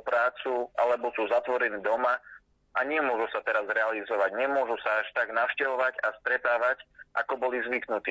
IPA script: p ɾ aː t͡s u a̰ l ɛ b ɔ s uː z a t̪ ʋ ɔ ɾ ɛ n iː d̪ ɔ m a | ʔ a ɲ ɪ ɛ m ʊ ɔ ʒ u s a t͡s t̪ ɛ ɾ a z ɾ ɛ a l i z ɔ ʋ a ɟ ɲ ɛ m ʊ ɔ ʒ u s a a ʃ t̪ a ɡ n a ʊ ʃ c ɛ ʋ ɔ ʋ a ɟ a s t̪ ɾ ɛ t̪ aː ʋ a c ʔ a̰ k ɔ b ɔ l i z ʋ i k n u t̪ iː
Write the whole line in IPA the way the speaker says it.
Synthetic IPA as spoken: p ɾ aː t͡s u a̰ l ɛ b ɔ s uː z a t̪ ʋ ɔ ɾ ɛ n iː d̪ ɔ m a | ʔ a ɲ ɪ ɛ m ʊ ɔ ʒ u s a t̪ ɛ ɾ a z ɾ ɛ a l i z ɔ ʋ a ɟ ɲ ɛ m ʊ ɔ ʒ u s a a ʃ t̪ a ɡ n a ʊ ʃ c ɛ ʋ ɔ ʋ a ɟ a s t̪ ɾ ɛ t̪ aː ʋ a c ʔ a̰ k ɔ b ɔ l i z ʋ i k n u t̪ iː